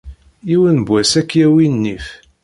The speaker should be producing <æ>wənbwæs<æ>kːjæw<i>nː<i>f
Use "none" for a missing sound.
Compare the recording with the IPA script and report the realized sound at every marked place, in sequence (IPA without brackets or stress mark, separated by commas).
i, æ, i, i